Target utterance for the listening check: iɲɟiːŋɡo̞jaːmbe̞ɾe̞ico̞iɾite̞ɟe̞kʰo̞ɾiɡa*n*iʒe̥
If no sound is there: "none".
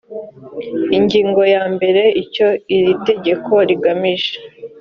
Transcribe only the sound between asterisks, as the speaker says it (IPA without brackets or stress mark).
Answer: m